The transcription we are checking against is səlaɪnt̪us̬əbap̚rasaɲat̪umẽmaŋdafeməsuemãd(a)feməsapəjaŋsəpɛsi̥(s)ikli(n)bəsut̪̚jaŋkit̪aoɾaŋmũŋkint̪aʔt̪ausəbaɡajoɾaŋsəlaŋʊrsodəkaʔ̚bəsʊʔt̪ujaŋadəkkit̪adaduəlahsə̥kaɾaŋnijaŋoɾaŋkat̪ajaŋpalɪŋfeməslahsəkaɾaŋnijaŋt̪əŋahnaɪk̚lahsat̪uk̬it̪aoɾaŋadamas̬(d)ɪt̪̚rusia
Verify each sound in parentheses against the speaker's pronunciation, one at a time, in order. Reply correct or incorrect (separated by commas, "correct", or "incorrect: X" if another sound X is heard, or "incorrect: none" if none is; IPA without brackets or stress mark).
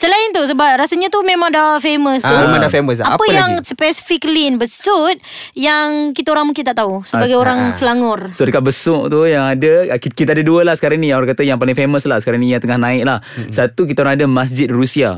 correct, incorrect: f, correct, incorrect: d͡ʒ